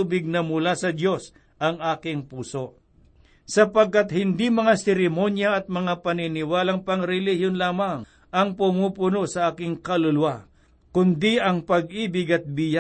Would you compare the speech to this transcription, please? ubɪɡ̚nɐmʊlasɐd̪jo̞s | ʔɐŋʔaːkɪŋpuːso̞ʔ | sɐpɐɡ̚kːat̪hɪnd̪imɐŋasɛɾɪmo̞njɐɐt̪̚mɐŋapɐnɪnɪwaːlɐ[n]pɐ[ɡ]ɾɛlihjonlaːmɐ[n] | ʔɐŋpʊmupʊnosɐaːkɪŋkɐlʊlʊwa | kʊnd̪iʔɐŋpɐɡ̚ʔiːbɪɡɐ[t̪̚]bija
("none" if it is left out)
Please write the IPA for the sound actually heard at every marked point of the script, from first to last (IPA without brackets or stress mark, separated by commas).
ŋ, ŋ, ŋ, t̪̚